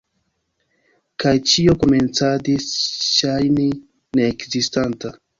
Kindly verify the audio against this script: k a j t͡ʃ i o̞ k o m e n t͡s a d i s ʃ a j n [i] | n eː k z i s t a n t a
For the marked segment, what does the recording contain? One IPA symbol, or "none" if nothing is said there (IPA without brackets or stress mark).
i